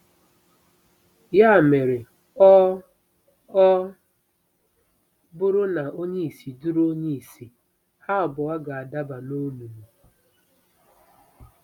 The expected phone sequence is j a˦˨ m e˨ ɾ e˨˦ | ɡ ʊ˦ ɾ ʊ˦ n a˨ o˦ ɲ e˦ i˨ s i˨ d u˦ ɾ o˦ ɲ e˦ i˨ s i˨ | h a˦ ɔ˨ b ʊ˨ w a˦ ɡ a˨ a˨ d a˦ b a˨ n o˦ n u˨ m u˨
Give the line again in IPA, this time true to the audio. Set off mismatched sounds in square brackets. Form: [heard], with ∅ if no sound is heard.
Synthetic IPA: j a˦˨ m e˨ ɾ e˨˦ | [b] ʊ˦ ɾ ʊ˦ n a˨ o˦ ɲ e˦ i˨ s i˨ d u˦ ɾ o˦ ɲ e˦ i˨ s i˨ | h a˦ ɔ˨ b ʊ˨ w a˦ ɡ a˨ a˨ d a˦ b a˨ n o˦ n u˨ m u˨